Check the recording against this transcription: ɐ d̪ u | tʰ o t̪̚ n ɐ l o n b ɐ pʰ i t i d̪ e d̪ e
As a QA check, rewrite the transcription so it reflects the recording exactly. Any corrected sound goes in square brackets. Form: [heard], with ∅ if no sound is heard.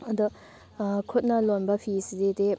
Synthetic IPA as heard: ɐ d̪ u | [kʰ] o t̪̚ n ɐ l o n b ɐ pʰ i [s] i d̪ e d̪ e